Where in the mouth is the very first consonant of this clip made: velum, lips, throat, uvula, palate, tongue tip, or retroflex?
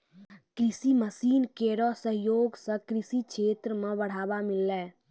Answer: velum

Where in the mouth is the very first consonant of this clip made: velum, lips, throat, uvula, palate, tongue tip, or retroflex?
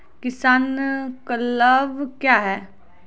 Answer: velum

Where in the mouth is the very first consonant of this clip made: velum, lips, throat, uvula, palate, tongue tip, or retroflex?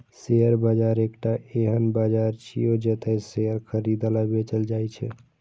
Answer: tongue tip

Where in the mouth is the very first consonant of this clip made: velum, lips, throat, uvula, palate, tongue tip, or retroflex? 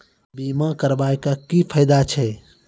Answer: lips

